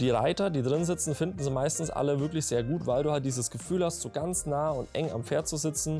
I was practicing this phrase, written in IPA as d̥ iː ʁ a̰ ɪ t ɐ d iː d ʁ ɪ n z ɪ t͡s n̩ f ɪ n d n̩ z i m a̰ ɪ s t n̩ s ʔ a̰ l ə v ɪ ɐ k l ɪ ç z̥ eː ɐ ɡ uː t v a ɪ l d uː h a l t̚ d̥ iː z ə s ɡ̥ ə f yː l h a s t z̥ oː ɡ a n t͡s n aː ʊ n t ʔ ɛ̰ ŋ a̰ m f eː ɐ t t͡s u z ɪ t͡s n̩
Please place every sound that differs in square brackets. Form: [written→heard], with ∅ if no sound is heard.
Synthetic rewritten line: d̥ iː ʁ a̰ ɪ t ɐ d iː d ʁ ɪ n z ɪ t͡s n̩ f ɪ n d n̩ z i m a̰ ɪ s t n̩ s ʔ a̰ l ə v ɪ ɐ k l ɪ ç z̥ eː ɐ ɡ uː t v a ɪ l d uː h a l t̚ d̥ iː z ə s ɡ̥ ə f yː l h a s t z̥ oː ɡ a n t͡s n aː ʊ n t ʔ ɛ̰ ŋ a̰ m f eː ɐ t t͡s u z ɪ t͡s n̩